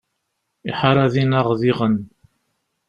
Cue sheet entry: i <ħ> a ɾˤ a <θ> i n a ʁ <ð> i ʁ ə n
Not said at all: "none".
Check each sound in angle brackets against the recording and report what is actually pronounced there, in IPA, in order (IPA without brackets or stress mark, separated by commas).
ħ, ð, ð